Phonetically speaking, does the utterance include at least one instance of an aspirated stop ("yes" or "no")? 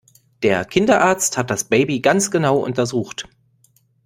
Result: yes